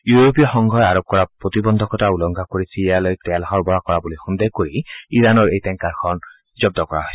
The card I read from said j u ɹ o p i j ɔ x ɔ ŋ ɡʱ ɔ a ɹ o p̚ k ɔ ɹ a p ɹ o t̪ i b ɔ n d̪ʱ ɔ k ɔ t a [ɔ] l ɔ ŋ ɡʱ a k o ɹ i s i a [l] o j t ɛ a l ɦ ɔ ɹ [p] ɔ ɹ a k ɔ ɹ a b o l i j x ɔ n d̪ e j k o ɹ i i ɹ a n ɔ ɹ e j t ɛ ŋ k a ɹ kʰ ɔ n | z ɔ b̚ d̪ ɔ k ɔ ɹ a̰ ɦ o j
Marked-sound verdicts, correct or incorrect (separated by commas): incorrect, correct, incorrect